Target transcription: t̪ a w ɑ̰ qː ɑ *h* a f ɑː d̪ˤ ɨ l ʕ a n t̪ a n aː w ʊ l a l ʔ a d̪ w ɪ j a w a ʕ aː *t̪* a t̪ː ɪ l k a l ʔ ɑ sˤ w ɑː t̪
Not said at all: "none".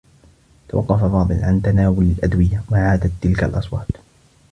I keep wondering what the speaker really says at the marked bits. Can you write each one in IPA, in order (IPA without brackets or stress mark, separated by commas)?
f, d̪